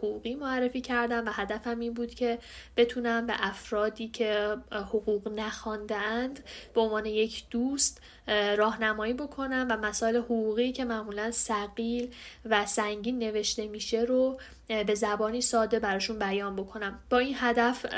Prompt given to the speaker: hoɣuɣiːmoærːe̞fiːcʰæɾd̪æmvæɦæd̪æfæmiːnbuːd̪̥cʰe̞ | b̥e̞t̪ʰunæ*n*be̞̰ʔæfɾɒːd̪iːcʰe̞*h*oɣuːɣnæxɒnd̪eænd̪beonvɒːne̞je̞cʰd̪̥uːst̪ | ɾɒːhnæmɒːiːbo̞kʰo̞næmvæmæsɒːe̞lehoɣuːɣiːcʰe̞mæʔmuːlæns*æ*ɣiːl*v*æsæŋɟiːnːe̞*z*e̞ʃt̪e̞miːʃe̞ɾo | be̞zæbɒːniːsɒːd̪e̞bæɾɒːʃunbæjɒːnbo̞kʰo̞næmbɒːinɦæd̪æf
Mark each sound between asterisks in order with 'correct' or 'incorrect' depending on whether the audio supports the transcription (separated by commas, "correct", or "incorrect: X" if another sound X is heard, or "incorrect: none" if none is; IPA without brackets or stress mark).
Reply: incorrect: m, correct, correct, correct, incorrect: v